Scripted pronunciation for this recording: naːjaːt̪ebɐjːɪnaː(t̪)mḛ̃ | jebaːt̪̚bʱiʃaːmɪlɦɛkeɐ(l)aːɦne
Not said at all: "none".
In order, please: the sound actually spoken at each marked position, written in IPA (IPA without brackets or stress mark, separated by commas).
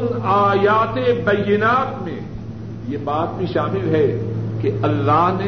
t̪, lː